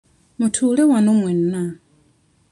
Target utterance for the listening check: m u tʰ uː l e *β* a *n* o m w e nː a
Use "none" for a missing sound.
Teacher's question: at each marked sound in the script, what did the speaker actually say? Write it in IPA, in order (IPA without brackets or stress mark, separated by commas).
w, n